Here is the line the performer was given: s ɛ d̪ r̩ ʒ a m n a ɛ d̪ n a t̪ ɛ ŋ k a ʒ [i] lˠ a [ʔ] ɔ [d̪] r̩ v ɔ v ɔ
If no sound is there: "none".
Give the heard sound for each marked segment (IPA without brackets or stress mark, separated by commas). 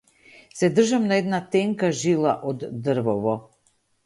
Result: i, ʔ, d̪ː